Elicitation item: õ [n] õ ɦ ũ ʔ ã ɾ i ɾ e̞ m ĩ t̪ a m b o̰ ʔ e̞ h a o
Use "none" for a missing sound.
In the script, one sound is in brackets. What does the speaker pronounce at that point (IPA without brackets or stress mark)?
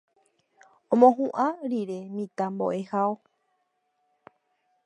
m